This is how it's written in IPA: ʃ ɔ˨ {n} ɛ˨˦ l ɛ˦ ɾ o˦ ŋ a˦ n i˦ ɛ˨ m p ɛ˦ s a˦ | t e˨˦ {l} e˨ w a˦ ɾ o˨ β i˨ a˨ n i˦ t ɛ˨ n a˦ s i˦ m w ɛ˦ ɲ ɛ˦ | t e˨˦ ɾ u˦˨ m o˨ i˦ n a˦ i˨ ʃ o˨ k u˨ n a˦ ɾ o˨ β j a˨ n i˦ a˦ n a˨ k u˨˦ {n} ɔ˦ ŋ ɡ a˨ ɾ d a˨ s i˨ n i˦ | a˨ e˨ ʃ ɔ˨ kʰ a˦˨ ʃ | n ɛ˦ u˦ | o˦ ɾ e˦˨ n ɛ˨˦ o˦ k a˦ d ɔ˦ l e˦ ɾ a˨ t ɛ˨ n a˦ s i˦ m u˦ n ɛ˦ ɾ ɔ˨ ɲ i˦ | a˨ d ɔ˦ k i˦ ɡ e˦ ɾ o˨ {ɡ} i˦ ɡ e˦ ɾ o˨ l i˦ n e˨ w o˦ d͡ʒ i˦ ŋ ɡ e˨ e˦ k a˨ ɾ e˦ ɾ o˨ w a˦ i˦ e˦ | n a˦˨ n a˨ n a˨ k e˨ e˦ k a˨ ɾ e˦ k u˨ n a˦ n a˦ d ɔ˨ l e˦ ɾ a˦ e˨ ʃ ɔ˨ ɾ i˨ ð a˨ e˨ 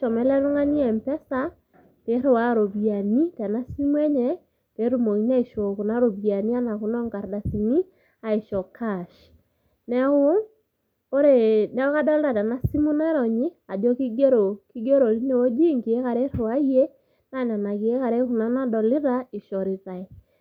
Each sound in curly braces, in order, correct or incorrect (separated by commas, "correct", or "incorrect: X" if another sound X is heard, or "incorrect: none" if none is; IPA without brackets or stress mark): incorrect: m, incorrect: ɾ, correct, incorrect: k